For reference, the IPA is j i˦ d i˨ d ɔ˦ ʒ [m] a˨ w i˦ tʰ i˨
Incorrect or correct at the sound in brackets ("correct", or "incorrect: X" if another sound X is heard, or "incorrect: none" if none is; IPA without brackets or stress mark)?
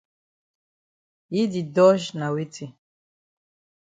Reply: incorrect: n